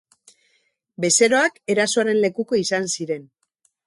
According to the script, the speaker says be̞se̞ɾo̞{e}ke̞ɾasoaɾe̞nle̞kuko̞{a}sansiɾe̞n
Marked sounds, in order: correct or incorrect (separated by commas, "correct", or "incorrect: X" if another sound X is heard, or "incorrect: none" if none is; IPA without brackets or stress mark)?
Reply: incorrect: a, incorrect: i